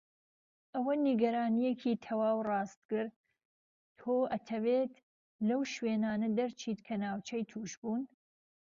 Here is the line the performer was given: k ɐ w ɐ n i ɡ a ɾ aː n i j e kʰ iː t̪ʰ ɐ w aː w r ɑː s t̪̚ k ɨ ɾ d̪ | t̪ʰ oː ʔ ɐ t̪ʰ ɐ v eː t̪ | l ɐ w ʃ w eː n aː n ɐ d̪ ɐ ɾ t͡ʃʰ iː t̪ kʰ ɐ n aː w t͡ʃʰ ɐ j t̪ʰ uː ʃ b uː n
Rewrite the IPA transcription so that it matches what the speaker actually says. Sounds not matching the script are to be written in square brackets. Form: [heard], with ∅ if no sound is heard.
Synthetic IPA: [ʔ] ɐ w ɐ n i ɡ [ɐ] ɾ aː n i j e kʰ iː t̪ʰ ɐ w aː w r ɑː s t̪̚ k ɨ ɾ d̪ | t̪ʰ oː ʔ ɐ t̪ʰ ɐ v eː t̪ | l ɐ w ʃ w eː n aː n ɐ d̪ ɐ ɾ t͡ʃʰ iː t̪ kʰ ɐ n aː w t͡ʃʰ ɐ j t̪ʰ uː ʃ b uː n